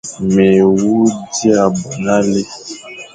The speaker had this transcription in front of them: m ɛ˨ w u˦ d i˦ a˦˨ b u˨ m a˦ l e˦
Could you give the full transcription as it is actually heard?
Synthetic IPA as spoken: m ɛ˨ w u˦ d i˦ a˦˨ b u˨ n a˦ l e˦